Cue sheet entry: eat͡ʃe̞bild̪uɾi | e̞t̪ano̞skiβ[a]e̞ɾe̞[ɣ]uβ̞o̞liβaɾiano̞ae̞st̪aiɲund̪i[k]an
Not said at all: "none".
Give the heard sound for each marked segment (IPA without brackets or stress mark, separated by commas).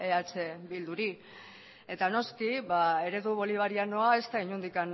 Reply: a, ð, k